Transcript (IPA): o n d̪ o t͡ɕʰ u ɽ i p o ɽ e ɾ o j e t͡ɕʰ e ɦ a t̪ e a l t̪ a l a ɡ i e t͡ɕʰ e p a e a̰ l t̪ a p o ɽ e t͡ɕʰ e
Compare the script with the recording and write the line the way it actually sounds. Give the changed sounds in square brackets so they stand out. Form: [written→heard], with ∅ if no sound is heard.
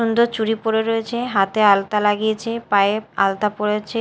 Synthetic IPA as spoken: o n d̪ o [t͡ɕʰ→t͡ɕ] u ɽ i p o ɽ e ɾ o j e t͡ɕʰ e ɦ a t̪ e a l t̪ a l a ɡ i e t͡ɕʰ e p a e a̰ l t̪ a p o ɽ e t͡ɕʰ e